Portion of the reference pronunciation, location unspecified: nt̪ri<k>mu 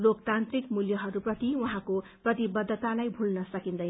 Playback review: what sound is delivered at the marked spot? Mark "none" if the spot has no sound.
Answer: k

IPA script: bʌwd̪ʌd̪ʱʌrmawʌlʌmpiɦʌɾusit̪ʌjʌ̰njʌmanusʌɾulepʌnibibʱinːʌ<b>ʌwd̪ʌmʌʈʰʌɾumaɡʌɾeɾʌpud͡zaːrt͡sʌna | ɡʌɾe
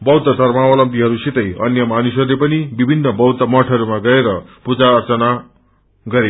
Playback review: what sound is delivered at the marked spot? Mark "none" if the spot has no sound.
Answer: b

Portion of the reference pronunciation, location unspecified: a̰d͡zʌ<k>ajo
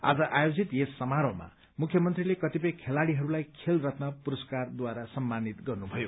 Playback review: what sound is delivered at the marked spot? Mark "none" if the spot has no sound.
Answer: ʔ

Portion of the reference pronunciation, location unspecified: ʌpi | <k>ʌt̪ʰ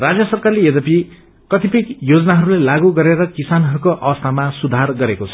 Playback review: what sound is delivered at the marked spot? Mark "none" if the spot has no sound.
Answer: k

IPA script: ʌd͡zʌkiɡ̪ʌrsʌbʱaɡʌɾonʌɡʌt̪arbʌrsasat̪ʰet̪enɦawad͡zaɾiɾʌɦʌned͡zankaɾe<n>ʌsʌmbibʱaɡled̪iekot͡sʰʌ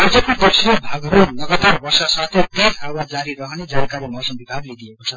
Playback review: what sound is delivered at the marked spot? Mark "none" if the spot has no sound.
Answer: m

